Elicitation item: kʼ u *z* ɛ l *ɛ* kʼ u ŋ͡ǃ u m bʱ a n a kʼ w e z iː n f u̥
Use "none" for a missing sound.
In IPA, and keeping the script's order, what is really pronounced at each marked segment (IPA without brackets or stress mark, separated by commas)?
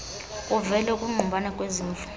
v, ɛ